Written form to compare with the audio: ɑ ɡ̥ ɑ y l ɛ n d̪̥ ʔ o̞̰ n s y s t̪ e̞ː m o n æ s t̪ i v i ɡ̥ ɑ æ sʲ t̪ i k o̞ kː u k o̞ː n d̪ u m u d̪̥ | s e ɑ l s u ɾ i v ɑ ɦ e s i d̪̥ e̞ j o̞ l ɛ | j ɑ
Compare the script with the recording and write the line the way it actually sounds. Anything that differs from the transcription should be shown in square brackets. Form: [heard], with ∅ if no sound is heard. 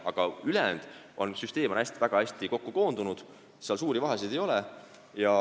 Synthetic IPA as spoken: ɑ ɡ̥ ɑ y l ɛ n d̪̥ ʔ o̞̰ n s y s t̪ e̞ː m o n æ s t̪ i v [æ] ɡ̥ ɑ æ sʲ t̪ i k o̞ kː u k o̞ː n d̪ u [n] u d̪̥ | s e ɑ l s [uː] ɾ i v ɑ ɦ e s i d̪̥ e̞ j o̞ l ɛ | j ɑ